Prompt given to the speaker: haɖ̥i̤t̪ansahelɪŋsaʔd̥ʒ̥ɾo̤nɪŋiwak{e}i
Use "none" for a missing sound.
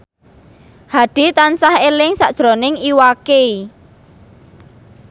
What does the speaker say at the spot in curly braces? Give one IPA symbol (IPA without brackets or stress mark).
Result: e